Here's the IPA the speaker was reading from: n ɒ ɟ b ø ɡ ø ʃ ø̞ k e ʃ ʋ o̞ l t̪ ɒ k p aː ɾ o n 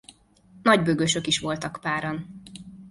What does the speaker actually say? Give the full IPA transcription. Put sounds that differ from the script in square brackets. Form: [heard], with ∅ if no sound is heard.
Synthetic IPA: n ɒ ɟ b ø ɡ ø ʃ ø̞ k [i] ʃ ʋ o̞ l t̪ ɒ k p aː ɾ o n